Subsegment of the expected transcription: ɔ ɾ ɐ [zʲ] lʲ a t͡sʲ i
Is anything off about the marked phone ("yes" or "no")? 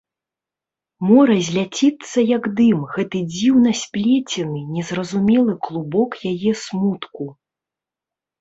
no